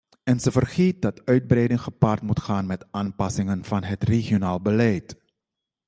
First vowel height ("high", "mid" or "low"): mid